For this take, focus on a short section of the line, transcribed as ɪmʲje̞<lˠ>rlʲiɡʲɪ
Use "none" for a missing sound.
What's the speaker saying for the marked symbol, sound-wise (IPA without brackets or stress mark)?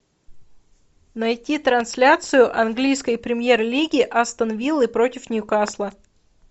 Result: none